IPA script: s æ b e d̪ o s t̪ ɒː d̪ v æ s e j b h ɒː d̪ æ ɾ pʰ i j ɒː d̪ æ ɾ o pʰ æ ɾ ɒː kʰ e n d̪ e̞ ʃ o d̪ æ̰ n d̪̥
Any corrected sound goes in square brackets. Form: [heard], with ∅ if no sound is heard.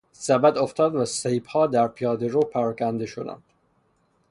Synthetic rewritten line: s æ b [æ] d̪ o [f] t̪ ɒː d̪ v æ s e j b h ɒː d̪ æ ɾ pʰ i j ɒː d̪ [e] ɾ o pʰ æ ɾ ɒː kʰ [æ] n d̪ e̞ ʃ o d̪ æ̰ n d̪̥